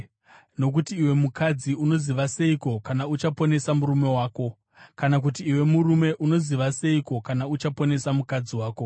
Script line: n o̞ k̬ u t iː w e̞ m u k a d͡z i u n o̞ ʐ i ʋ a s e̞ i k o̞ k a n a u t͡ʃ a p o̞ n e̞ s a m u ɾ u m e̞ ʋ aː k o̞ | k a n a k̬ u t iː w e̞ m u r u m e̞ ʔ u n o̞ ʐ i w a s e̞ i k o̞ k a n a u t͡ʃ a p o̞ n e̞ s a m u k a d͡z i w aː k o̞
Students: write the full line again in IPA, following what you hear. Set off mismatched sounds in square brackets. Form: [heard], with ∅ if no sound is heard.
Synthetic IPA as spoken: n o̞ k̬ u t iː w e̞ m u k a d͡z i u n o̞ [z] i ʋ a s e̞ i k o̞ k a n a u t͡ʃ a p o̞ n e̞ s a m u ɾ u m e̞ [w] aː k o̞ | k a n a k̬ u t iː w e̞ m u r u m e̞ ʔ u n o̞ [z] i [ʋ] a s e̞ i k o̞ k a n a u t͡ʃ a p o̞ n e̞ s a m u k a d͡z i w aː k o̞

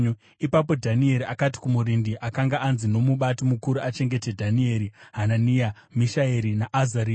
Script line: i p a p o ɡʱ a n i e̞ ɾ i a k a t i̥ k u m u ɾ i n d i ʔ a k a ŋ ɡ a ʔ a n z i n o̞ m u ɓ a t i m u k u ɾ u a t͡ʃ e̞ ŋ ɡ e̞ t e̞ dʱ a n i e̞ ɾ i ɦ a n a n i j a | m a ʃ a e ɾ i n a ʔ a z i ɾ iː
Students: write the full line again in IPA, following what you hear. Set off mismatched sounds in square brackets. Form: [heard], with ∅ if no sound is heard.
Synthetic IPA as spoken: i p a p o [dʱ] a n i e̞ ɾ i a k a t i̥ k u m u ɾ i n d i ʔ a k a ŋ ɡ a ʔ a n z i n o̞ m u ɓ a t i m u k u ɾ u a t͡ʃ e̞ ŋ ɡ e̞ t e̞ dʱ a n i e̞ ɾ i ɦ a n a n i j a | m [i] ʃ a e ɾ i n a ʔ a z [a] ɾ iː

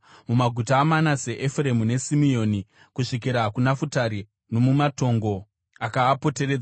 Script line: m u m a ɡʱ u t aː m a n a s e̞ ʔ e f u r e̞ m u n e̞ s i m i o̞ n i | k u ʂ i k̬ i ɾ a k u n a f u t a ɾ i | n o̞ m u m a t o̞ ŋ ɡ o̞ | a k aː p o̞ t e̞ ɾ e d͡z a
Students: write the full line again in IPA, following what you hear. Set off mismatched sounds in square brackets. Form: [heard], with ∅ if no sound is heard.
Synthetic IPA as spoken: m u m a ɡʱ u t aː m a n a s e̞ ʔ e f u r e̞ m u n e̞ s i m i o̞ n i | k u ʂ i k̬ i ɾ a k u n a f u t a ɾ i | n o̞ m u m a t o̞ ŋ ɡ o̞ | a k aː p o̞ t e̞ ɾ e d͡z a

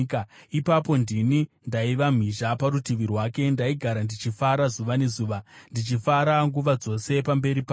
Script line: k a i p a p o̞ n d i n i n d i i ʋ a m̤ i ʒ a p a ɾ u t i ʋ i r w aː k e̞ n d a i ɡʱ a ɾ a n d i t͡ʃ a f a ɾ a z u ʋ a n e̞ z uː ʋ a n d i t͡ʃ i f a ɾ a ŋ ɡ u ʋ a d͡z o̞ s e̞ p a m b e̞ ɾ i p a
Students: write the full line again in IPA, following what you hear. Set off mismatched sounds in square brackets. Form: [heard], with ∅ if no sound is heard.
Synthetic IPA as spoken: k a i p a p o̞ n d i n i n d [a] i ʋ a m̤ i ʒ a p a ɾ u t i ʋ i r w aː k e̞ n d a i ɡʱ a ɾ a n d i t͡ʃ [i] f a ɾ a z u ʋ a n e̞ z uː ʋ a n d i t͡ʃ i f a ɾ a ŋ ɡ u ʋ a d͡z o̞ s e̞ p a m b e̞ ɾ i p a

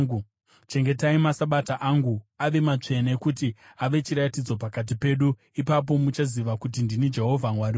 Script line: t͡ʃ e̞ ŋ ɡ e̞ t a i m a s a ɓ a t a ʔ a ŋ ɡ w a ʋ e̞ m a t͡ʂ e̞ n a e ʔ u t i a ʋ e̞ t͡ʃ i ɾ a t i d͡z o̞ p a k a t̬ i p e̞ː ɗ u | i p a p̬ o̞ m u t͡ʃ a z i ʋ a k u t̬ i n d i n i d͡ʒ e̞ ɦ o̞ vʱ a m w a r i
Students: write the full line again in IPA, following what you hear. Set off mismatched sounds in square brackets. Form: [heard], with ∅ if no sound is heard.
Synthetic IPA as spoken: t͡ʃ e̞ ŋ ɡ e̞ t a i m a s a ɓ a t a ʔ a ŋ ɡ [u] a ʋ e̞ m a t͡ʂ e̞ n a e [k] u t i a ʋ e̞ t͡ʃ i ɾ a t i d͡z o̞ p a k a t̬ i p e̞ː ɗ u | i p a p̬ o̞ m u t͡ʃ a z i ʋ a k u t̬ i n d i n i d͡ʒ e̞ ɦ o̞ vʱ a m w a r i

